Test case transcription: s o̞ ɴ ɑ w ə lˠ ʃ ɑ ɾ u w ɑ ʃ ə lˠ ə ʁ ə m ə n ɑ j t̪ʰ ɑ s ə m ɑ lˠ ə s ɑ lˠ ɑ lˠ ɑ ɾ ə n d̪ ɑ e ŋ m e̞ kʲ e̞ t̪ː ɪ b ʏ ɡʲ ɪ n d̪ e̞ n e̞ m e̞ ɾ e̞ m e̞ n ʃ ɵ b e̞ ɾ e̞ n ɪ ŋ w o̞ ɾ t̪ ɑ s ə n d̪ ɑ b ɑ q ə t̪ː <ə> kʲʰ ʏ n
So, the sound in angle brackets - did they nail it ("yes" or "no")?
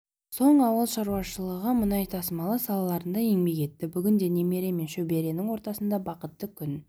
yes